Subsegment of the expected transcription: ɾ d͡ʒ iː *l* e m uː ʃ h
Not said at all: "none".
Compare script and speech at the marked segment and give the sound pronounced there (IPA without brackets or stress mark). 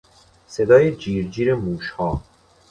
ɾ